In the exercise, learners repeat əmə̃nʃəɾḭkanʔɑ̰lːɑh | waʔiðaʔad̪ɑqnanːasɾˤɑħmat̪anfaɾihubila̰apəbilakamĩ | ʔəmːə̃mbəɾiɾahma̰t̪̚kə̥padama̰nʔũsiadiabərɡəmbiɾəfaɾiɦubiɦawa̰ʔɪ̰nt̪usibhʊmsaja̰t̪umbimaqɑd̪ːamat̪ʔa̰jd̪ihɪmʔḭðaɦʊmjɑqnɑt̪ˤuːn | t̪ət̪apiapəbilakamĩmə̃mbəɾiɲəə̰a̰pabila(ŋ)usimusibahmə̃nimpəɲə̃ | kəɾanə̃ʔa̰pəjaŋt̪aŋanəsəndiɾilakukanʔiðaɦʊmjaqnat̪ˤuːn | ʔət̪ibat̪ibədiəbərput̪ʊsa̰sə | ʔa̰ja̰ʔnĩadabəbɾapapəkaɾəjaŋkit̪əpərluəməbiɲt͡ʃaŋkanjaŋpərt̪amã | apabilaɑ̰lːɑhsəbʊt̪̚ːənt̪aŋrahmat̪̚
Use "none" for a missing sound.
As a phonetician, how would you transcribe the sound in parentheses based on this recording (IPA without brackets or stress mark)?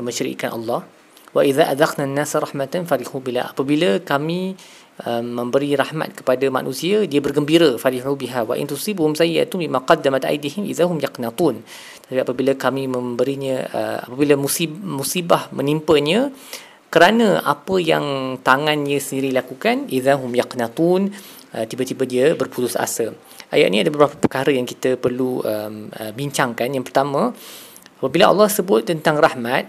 m